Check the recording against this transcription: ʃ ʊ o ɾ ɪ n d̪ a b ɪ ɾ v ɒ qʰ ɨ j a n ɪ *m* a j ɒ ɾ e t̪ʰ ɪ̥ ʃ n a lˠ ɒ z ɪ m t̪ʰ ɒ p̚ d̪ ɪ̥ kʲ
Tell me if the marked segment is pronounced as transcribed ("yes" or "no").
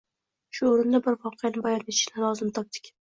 no